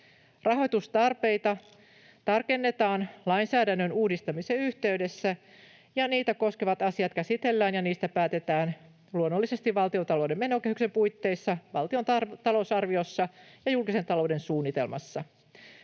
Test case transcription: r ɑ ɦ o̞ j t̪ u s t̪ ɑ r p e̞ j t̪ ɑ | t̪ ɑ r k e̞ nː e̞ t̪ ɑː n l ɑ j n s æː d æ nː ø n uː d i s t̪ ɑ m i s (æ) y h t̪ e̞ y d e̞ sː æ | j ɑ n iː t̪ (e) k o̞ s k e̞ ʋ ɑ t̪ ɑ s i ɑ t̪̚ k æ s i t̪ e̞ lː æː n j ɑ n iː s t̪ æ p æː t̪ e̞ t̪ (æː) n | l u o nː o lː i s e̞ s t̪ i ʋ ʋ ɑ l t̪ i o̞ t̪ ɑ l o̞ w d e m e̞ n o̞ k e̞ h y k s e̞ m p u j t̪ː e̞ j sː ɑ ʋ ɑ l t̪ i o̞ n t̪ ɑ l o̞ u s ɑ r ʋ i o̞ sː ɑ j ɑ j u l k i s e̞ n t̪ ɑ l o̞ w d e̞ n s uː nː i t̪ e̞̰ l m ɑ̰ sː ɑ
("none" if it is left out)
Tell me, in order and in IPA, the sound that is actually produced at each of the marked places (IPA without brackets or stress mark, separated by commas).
e, æ, æː